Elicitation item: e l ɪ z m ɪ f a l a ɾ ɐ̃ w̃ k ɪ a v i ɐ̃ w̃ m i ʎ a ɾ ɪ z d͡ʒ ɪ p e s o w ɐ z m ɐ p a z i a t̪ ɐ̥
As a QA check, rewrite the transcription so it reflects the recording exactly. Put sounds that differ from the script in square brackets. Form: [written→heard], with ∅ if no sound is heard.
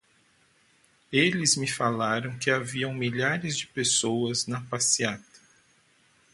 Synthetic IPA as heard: e l ɪ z m ɪ f a l a ɾ ɐ̃ w̃ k ɪ a v i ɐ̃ w̃ m i ʎ a ɾ ɪ z d͡ʒ ɪ p e s o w ɐ z [m→n] ɐ p a [z→s] i a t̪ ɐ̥